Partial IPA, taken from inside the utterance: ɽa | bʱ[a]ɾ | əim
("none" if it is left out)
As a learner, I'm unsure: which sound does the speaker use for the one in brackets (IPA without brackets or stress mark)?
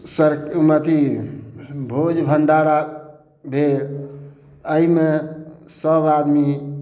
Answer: e